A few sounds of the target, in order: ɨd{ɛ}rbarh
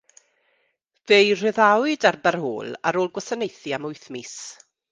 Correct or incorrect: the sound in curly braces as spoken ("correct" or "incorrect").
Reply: incorrect